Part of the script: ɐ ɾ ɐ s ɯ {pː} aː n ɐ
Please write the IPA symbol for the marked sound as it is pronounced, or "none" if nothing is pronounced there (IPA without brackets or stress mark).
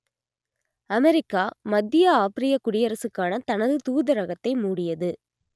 kː